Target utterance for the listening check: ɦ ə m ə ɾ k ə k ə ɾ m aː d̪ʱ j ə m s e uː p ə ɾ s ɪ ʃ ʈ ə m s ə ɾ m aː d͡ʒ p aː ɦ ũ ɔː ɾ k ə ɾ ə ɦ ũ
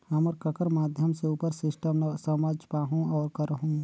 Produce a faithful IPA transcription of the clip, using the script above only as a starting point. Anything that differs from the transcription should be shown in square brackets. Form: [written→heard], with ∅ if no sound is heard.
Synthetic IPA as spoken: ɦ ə m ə ɾ k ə k ə ɾ m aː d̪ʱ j ə m s e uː p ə ɾ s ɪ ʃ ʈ ə m s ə [ɾ→∅] m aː d͡ʒ p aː ɦ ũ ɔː ɾ k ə ɾ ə ɦ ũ